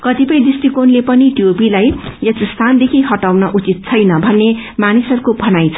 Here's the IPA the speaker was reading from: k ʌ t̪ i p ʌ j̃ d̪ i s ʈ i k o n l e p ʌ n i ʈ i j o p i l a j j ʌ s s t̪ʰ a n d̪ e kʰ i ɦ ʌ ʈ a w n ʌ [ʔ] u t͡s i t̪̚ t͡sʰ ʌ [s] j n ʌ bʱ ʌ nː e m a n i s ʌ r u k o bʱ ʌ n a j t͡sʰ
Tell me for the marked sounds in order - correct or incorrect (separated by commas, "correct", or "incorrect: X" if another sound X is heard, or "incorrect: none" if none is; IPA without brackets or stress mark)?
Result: correct, incorrect: none